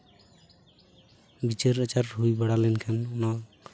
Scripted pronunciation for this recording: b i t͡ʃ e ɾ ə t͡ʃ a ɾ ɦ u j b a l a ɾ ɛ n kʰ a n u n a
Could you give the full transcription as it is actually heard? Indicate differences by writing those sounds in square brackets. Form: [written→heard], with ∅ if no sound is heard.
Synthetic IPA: b i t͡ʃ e ɾ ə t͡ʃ a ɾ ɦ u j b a [l→ɽ] a [ɾ→l] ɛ n kʰ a n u n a